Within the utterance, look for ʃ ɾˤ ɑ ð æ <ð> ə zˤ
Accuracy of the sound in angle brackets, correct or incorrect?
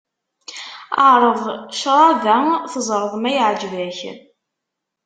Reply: incorrect